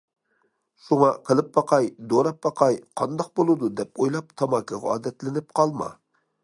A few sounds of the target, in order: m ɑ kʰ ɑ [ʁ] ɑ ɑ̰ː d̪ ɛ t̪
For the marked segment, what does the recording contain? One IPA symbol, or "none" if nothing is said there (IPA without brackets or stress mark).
ʁ